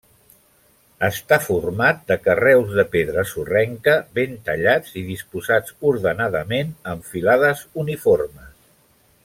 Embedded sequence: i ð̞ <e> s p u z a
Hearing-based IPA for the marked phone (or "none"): i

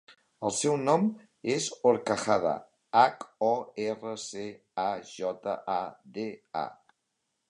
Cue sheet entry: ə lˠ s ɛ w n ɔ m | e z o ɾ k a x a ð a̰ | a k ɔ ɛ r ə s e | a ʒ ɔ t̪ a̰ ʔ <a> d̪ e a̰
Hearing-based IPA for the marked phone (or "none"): a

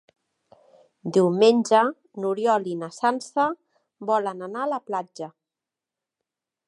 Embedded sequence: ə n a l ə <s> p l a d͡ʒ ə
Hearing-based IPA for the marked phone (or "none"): none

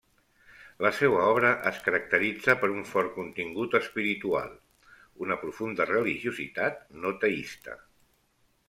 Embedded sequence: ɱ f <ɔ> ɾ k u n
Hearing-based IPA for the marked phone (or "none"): ɔ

